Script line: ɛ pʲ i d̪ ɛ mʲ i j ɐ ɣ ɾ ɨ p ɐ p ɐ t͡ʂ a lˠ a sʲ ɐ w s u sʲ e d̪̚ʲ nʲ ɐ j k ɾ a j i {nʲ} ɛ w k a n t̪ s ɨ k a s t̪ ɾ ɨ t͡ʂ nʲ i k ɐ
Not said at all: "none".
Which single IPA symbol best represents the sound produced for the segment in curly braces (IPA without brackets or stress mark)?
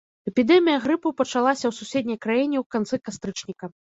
nʲ